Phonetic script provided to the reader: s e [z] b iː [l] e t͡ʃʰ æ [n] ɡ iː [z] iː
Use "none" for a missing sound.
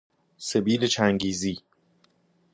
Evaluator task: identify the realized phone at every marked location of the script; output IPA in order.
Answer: none, l, ŋ, z

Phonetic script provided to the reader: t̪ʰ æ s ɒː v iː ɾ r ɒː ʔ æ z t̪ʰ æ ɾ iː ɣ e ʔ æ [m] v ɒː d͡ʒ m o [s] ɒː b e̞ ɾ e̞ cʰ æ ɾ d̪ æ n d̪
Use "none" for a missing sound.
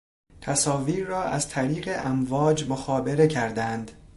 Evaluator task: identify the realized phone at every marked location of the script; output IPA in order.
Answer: m, x

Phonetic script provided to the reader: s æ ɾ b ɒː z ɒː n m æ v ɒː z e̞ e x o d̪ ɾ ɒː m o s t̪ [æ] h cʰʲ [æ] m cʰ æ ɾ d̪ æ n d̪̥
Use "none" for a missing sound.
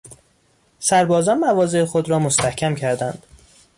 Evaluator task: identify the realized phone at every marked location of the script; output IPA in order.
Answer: æ, æ

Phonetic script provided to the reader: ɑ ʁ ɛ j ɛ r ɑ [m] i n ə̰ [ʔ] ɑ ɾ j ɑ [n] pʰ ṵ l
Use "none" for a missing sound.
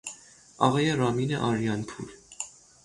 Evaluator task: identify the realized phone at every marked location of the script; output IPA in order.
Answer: m, ʔ, n

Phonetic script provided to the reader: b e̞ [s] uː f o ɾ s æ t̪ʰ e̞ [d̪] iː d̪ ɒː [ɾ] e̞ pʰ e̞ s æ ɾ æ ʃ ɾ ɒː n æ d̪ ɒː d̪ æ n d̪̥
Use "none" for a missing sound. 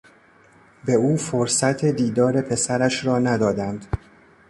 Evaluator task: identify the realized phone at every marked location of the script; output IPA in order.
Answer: none, d̪, ɾ

